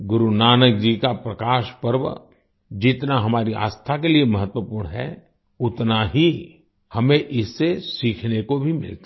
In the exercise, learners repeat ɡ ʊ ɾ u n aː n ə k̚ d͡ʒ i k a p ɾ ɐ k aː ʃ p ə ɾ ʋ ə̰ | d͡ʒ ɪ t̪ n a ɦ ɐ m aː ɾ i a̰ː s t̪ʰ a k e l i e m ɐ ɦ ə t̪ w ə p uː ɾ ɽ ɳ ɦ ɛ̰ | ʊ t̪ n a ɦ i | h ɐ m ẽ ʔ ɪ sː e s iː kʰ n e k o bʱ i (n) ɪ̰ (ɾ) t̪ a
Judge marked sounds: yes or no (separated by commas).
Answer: no, no